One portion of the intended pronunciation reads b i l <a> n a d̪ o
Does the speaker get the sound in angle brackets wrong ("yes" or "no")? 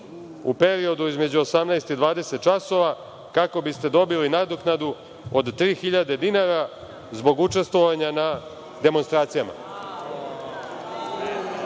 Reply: yes